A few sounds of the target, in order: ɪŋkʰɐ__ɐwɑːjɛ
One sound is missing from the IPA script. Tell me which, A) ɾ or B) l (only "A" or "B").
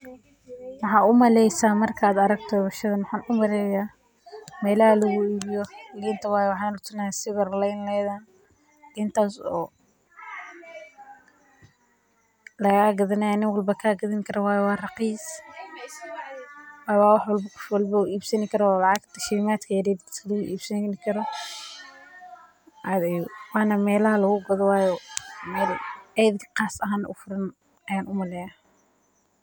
A